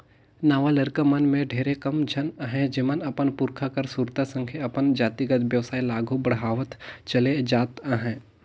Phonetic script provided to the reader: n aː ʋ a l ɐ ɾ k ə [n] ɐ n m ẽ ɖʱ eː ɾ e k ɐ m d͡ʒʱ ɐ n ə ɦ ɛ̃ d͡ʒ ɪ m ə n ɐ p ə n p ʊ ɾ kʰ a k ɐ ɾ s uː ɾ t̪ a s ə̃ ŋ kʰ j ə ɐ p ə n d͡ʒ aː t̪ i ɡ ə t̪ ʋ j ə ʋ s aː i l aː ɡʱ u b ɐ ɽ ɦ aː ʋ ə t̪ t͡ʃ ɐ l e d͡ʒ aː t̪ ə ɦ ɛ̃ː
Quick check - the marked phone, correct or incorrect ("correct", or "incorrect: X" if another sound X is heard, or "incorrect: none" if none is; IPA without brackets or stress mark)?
incorrect: m